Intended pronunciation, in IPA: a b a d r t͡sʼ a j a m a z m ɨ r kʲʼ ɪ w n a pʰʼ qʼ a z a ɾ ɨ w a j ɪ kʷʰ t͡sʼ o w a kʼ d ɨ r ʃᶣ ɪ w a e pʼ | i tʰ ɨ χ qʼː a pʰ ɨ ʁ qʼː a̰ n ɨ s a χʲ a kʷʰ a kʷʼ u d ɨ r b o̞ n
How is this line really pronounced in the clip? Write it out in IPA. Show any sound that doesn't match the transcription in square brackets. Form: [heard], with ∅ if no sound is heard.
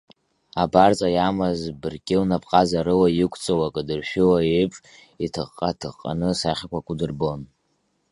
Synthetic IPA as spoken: a b a [∅] r t͡sʼ a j a m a z [b] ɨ r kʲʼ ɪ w n a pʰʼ qʼ a z a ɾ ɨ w a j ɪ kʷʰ t͡sʼ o w a kʼ d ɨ r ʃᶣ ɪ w a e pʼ | i tʰ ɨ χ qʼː a [tʰ] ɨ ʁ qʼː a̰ n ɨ s a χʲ a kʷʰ a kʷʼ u d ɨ r b o̞ n